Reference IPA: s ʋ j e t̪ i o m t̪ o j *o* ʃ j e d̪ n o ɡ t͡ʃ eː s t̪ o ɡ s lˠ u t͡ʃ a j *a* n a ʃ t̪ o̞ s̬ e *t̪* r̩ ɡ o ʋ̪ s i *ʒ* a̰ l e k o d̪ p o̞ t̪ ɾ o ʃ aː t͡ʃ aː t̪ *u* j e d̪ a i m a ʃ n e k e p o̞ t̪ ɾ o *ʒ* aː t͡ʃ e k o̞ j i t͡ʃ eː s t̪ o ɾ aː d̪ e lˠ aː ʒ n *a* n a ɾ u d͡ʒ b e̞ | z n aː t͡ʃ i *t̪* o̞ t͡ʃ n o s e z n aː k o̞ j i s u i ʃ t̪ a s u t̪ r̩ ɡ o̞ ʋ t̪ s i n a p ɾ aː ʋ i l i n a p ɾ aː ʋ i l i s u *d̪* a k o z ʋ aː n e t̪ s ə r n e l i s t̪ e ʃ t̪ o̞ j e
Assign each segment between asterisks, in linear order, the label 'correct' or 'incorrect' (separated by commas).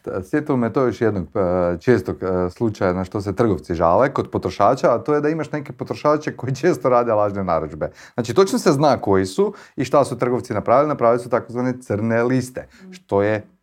correct, correct, correct, correct, incorrect, incorrect, incorrect, correct, incorrect